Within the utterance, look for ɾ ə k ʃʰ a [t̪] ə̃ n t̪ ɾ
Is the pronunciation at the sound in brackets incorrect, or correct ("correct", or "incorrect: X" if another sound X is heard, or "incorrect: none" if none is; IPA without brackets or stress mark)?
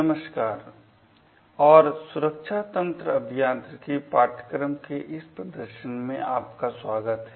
correct